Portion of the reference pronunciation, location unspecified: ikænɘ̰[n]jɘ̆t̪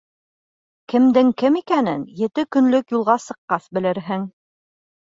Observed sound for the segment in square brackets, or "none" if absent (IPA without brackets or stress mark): n